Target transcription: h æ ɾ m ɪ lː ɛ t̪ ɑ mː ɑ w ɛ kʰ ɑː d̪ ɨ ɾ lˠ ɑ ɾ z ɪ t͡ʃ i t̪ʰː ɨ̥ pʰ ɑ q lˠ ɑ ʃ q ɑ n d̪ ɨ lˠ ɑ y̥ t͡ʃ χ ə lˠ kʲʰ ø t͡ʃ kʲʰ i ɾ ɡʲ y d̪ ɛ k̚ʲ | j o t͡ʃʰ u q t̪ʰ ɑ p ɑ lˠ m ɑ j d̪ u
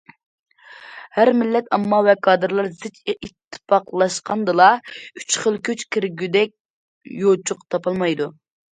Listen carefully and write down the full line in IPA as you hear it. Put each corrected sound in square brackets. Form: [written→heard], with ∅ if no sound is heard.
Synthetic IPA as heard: h æ ɾ m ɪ lː ɛ t̪ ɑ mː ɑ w ɛ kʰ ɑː d̪ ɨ ɾ lˠ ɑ ɾ z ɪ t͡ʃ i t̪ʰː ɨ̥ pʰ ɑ q lˠ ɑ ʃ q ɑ n d̪ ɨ lˠ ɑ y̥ t͡ʃ χ ə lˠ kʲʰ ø t͡ʃ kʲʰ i ɾ ɡʲ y d̪ ɛ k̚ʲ | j o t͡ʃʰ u q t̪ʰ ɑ p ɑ lˠ m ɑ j d̪ u